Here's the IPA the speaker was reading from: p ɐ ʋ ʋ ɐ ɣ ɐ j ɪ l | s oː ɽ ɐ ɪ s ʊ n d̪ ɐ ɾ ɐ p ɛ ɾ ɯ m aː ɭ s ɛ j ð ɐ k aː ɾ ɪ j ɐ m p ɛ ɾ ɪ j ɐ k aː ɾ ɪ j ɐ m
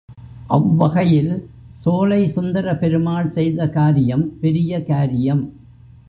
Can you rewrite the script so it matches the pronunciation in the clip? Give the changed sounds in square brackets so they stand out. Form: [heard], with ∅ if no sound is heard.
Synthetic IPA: [ʔ] ɐ ʋ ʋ ɐ ɣ ɐ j ɪ l | s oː [l] ɐ ɪ s ʊ n d̪ ɐ ɾ ɐ p ɛ ɾ ɯ m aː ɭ s ɛ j ð ɐ k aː ɾ ɪ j ɐ m p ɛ ɾ ɪ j ɐ k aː ɾ ɪ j ɐ m